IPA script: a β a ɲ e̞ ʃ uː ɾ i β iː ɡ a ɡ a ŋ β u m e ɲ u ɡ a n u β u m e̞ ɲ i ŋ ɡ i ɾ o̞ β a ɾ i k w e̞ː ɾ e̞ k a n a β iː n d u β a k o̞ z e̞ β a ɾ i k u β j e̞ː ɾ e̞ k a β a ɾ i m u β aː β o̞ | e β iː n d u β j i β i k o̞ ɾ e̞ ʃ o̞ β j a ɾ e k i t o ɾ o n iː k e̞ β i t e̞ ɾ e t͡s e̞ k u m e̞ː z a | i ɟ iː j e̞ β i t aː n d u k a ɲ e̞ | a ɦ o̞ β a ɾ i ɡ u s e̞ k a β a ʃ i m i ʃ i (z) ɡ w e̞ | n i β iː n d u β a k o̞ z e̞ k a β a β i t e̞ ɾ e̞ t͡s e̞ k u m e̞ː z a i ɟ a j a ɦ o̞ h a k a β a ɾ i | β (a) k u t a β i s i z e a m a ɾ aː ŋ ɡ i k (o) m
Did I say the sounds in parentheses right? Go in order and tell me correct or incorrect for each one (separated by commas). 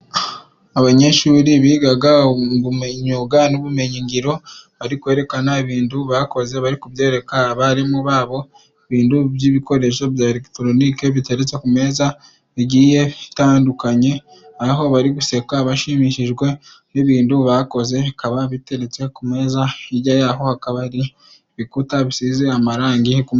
incorrect, incorrect, incorrect